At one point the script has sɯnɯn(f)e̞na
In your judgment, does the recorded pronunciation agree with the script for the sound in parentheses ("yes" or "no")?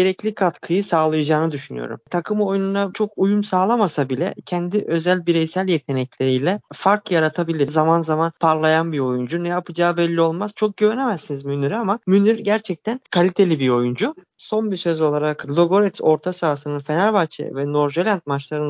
yes